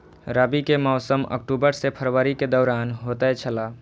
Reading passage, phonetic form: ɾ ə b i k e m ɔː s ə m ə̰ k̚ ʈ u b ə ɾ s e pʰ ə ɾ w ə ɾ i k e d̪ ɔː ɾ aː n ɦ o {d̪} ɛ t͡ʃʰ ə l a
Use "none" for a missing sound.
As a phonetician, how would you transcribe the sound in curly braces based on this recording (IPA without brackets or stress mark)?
t̪